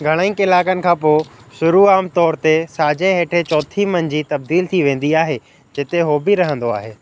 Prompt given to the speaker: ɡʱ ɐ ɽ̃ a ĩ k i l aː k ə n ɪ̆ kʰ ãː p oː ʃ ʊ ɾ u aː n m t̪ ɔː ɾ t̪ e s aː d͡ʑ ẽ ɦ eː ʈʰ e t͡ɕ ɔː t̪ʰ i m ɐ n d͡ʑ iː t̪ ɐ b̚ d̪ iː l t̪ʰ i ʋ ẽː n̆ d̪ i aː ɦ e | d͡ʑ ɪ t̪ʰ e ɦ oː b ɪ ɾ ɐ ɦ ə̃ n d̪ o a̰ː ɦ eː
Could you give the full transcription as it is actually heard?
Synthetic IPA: ɡʱ ɐ ɽ̃ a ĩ k ɪ l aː k ə n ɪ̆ kʰ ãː p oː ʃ ʊ ɾ u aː m t̪ ɔː ɾ t̪ e s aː d͡ʑ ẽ ɦ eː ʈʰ e t͡ɕ ɔː t̪ʰ i m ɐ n d͡ʑ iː t̪ ɐ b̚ d̪ iː l t̪ʰ i ʋ ẽː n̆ d̪ i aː ɦ e | d͡ʑ ɪ t̪ e ɦ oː b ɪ ɾ ɐ ɦ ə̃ n d̪ o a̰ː ɦ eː

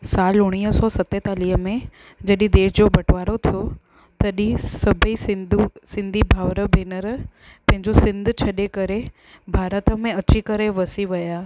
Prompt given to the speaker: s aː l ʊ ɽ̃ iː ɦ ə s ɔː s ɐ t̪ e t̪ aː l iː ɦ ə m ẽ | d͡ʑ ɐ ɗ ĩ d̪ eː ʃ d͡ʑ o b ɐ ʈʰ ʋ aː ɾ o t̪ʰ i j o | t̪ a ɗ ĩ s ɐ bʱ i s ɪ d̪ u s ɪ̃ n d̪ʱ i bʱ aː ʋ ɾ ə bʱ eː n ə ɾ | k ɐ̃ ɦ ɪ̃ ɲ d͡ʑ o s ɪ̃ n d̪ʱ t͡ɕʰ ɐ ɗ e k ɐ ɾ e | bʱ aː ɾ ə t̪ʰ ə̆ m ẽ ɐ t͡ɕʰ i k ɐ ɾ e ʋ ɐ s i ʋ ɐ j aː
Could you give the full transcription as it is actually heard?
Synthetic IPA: s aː l ʊ ɽ̃ iː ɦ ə s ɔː s ɐ t̪ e t̪ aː l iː ɦ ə m ẽ | d͡ʑ ɐ ɗ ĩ d̪ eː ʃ d͡ʑ o b ɐ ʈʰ ʋ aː ɾ o t̪ʰ i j o | t̪ ɐ ɗ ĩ s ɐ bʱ i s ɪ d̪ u s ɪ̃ n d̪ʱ i bʱ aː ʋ ɾ ə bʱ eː n ə ɾ | p ɐ̃ ɦ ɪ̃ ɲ d͡ʑ o s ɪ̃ n d̪ʱ t͡ɕʰ ɐ ɗ e k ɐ ɾ e | bʱ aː ɾ ə t̪ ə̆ m ẽ ɐ t͡ɕ i k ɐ ɾ e ʋ ɐ s i ʋ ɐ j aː

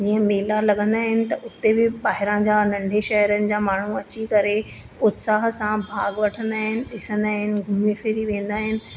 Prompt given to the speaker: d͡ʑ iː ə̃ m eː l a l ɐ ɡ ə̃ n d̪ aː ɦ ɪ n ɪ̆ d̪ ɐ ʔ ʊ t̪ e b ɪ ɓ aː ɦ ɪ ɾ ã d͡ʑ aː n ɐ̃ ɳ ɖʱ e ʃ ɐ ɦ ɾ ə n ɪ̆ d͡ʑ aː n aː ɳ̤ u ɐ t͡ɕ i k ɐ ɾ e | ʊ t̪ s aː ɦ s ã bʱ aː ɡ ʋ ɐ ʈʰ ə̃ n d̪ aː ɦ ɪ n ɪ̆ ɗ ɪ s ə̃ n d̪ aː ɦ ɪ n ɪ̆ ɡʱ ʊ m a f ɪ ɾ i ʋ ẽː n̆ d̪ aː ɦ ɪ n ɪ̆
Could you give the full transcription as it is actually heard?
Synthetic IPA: d͡ʑ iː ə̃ m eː l a l ɐ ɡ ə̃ n d̪ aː ɦ ɪ n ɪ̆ t̪ ɐ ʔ ʊ t̪ e b ɪ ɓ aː ɦ ɪ ɾ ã d͡ʑ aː n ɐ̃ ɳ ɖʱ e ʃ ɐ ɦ ɾ ə n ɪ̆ d͡ʑ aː m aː ɳ̤ u ɐ t͡ɕ i k ɐ ɾ e | ʊ t̪ s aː ɦ s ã bʱ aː ɡ ʋ ɐ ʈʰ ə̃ n d̪ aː ɦ ɪ n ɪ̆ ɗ ɪ s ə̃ n d̪ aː ɦ ɪ n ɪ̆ ɡʱ ʊ m i f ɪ ɾ i ʋ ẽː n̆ d̪ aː ɦ ɪ n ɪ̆

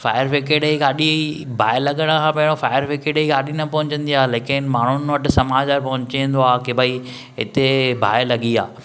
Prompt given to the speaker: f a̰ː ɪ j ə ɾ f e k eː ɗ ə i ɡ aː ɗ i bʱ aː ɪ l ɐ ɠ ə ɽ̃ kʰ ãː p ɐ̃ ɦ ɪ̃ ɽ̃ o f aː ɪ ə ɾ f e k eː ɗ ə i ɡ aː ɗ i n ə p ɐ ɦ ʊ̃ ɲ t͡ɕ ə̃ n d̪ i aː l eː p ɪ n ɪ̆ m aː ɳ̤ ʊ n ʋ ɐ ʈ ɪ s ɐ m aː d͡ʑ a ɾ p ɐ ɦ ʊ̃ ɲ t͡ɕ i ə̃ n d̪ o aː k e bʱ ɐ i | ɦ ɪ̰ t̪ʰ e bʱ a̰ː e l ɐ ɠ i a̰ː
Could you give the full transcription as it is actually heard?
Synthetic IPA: f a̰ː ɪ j ə ɾ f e k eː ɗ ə i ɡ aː ɗ i bʱ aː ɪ l ɐ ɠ ə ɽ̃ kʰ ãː p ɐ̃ ɦ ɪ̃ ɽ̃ o f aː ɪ ə ɾ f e k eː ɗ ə i ɡ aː ɗ i n ɐ p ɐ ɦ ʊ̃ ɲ t͡ɕ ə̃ n d̪ i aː l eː k ɪ n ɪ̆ m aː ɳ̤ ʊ n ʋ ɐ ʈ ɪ s ɐ m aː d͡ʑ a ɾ p ɐ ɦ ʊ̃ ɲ t͡ɕ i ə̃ n d̪ o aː k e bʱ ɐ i | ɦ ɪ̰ t̪ e bʱ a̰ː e l ɐ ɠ i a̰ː

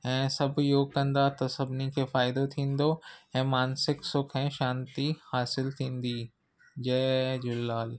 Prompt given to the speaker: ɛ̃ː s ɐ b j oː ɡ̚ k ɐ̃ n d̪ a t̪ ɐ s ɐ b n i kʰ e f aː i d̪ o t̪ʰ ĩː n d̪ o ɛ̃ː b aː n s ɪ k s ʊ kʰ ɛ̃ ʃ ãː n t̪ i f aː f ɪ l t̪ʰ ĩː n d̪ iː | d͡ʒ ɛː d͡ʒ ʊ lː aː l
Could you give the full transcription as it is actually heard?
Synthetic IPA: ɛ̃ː s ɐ b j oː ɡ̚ k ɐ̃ n d̪ a t̪ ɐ s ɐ b n i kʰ e f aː ɪ d̪ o t̪ʰ ĩː n d̪ o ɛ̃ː m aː n s ɪ k s ʊ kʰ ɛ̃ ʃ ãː n t̪ i h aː s ɪ l t̪ʰ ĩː n d̪ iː | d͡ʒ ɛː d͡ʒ ʊ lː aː l

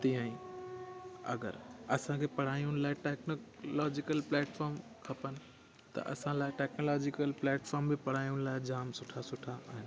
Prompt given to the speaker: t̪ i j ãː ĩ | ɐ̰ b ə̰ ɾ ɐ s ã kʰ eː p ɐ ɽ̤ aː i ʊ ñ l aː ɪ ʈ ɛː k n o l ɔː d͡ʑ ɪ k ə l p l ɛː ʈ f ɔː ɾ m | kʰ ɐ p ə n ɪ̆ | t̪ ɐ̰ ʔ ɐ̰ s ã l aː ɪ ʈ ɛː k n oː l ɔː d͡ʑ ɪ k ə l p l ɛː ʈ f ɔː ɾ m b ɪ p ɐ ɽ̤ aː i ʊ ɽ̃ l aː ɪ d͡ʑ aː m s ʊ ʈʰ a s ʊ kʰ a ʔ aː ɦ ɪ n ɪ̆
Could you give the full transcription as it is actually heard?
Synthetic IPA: t̪ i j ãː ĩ | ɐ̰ ɡ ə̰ ɾ ɐ s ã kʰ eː p ɐ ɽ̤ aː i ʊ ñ l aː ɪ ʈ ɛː k n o l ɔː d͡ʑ ɪ k ə l p l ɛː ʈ f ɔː ɾ m | kʰ ɐ p ə n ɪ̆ | t̪ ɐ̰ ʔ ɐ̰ s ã l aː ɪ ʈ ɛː k n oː l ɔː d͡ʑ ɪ k ə l p l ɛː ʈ f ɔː ɾ m b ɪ p ɐ ɽ̤ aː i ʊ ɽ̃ l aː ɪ d͡ʑ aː m s ʊ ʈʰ a s ʊ ʈʰ a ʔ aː ɦ ɪ n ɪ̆

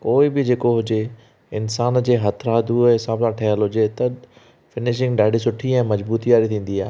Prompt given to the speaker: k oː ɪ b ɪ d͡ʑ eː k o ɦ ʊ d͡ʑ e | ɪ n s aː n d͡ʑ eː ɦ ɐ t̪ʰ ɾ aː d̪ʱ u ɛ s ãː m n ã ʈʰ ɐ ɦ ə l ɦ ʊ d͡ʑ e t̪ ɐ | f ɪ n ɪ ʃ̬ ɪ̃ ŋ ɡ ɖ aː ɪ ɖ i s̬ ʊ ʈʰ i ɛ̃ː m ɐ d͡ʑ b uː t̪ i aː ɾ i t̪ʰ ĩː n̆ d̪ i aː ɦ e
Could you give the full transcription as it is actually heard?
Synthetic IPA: k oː ɪ b ɪ d͡ʑ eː k o ɦ ʊ d͡ʑ e | ɪ n s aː n d͡ʑ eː ɦ ɐ t̪ʰ ɾ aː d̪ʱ u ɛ s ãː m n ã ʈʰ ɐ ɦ ə l ɦ ʊ d͡ʑ e t̪ ɐ | f ɪ n ɪ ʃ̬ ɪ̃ ŋ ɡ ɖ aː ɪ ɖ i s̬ ʊ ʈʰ i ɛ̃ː m ɐ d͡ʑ b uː t̪ i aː ɾ i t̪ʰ ĩː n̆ d̪ i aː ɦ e

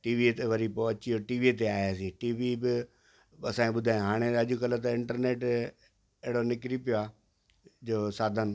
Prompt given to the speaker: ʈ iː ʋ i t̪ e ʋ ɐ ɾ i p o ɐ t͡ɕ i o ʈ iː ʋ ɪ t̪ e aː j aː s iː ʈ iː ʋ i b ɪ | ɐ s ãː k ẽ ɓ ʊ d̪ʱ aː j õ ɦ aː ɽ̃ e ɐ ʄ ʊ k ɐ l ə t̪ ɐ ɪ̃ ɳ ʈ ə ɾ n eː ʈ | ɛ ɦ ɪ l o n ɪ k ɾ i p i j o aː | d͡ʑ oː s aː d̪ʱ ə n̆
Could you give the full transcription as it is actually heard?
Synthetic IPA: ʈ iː ʋ i t̪ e ʋ ɐ ɾ i p o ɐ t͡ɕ i o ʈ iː ʋ i t̪ e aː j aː s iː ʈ iː ʋ i b ɪ | ɐ s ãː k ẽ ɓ ʊ d̪ʱ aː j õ ɦ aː ɽ̃ e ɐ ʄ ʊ k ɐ l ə t̪ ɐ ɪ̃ ɳ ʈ ə ɾ n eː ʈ | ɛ ɦ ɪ ɽ o n ɪ k ɾ i p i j o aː | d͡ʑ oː s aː d̪ʱ ə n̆

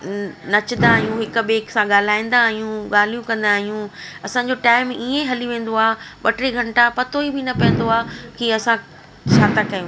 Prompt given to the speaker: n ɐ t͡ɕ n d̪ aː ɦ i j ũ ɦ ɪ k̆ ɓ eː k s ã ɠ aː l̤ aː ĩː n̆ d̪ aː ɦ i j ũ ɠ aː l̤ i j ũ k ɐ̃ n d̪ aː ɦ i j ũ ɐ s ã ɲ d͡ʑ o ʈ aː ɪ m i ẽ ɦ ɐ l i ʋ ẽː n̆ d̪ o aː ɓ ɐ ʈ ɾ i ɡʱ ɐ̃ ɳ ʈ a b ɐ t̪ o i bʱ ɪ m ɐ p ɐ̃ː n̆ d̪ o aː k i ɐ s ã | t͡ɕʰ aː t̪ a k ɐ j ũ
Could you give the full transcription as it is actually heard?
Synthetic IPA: n ɐ t͡ɕ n d̪ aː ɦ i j ũ ɦ ɪ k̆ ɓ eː k s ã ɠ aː l̤ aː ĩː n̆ d̪ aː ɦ i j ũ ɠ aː l̤ i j ũ k ɐ̃ n d̪ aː ɦ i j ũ ɐ s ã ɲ d͡ʑ o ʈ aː ɪ m i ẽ ɦ ɐ l i ʋ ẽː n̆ d̪ o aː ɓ ɐ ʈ ɾ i ɡʱ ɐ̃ ɳ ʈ a p ɐ t̪ o i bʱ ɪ n ɐ p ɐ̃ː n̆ d̪ o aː k i ɐ s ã | t͡ɕʰ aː t̪ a k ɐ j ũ

